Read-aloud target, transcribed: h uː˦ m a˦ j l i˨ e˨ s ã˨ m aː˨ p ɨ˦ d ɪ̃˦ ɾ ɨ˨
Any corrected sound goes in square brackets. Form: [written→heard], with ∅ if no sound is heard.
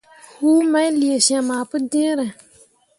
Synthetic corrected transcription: h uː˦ m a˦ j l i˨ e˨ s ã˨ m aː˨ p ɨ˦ d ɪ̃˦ ɾ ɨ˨